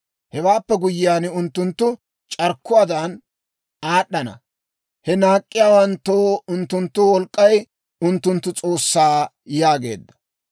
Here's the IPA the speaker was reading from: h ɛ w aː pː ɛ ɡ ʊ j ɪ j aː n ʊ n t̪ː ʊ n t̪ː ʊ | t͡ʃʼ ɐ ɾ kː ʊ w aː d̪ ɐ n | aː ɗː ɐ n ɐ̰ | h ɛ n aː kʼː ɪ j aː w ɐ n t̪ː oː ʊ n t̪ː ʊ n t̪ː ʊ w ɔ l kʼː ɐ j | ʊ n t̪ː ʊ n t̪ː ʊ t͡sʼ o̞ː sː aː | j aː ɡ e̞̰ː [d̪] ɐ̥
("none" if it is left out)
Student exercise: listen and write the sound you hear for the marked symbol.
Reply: d̪ː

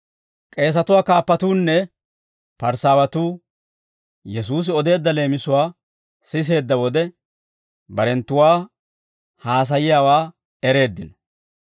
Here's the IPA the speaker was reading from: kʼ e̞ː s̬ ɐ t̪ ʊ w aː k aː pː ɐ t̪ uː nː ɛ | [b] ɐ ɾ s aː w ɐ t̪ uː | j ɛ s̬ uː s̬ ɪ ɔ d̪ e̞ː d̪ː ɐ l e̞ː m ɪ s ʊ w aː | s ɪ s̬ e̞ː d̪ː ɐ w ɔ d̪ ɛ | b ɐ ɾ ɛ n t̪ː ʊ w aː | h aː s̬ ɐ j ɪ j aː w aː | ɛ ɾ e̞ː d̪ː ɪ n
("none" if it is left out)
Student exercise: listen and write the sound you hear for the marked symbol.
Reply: p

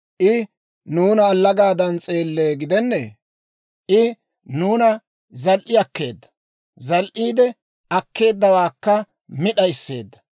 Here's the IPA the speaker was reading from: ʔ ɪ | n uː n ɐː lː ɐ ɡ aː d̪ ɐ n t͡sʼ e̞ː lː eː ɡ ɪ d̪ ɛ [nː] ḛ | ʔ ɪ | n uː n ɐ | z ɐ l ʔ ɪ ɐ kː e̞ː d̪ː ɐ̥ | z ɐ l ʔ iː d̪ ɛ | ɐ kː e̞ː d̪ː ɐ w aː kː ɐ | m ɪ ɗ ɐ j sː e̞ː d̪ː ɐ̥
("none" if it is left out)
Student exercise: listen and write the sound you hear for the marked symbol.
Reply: nː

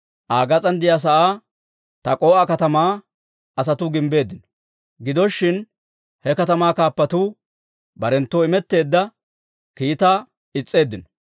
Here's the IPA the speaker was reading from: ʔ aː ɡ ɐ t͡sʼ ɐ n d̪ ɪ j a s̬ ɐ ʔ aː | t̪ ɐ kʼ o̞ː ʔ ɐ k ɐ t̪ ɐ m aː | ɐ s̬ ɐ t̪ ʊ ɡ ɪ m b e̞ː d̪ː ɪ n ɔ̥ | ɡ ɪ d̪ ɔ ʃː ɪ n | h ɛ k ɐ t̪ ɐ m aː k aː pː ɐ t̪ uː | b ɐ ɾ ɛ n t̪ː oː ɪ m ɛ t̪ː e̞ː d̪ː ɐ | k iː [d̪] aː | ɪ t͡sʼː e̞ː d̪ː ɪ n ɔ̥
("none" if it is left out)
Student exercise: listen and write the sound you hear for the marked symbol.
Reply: t̪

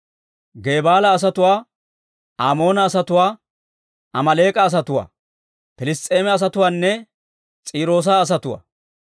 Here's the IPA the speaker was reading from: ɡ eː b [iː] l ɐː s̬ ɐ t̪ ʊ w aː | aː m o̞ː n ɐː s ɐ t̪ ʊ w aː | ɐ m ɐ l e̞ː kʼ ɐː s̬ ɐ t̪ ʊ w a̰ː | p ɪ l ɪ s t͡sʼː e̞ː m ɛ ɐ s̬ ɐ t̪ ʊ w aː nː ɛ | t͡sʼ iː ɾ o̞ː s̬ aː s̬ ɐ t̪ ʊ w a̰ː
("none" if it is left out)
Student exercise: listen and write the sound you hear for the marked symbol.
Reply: aː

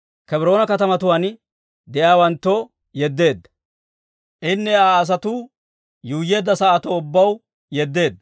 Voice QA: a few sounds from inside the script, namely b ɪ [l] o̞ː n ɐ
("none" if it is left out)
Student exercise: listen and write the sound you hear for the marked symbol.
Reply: ɾ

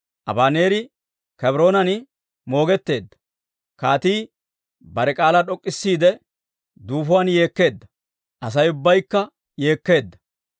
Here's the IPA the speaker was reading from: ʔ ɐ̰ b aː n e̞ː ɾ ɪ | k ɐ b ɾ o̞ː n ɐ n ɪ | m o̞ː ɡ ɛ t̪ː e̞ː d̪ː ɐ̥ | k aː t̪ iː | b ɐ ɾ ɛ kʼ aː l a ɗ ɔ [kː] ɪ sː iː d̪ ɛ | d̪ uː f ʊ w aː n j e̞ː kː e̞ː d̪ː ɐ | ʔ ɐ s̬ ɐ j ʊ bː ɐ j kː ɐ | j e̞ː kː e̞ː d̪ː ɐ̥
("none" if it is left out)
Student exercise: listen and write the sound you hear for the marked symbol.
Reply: kʼː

